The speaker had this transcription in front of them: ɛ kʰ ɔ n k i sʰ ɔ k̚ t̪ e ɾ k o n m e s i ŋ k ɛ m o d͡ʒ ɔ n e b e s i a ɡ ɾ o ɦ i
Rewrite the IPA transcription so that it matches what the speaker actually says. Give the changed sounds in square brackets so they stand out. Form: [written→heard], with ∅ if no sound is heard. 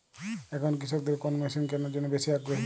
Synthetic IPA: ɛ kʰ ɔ n k i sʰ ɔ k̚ [t̪→d̪] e ɾ k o n m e s i [ŋ→n] k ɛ [m→n] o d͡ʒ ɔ n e b e s i a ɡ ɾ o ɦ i